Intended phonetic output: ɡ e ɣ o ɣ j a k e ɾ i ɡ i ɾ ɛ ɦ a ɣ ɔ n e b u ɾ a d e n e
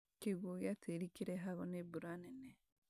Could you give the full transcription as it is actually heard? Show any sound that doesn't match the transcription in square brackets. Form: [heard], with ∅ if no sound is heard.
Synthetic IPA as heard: [k] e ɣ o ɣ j a [t] e ɾ i [k] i ɾ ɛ ɦ a ɣ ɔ n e b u ɾ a [n] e n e